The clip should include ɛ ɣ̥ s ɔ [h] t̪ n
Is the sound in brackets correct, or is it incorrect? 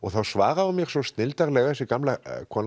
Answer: incorrect